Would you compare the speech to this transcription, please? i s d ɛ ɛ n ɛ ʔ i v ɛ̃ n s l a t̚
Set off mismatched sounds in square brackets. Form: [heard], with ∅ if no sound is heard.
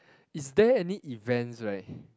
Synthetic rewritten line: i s d ɛ ɛ n [i] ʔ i v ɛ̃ n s [ɹ] a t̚